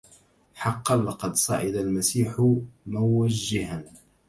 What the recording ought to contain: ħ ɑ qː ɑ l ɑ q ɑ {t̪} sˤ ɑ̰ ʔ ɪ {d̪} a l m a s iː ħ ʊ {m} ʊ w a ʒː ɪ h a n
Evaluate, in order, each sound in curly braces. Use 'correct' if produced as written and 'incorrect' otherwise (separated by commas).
incorrect, correct, correct